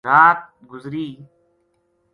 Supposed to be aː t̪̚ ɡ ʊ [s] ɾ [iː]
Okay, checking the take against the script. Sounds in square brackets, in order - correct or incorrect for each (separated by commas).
incorrect, correct